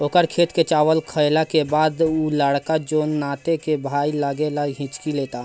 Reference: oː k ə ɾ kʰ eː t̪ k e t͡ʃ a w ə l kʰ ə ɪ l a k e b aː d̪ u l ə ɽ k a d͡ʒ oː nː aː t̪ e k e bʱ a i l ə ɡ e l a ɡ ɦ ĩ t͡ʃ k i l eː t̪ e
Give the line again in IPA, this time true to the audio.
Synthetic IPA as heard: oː k ə ɾ kʰ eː t̪ k e t͡ʃ a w ə l kʰ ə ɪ l a k e b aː d̪ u l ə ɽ k a d͡ʒ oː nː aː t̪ e k e bʱ a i l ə ɡ e l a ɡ ɦ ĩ t͡ʃ k i l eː t̪ a